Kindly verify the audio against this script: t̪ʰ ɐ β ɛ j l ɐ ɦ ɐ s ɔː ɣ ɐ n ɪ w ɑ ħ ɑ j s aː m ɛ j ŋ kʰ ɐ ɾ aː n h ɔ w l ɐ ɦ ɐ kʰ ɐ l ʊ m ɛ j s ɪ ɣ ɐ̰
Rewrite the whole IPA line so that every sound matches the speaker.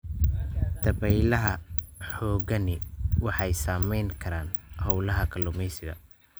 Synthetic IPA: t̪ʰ ɐ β ɛ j l ɐ ɦ ɐ ħ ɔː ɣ ɐ n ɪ w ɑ ħ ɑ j s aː m ɛ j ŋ kʰ ɐ ɾ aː n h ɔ w l ɐ ɦ ɐ kʰ ɐ l ʊ m ɛ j s ɪ ɣ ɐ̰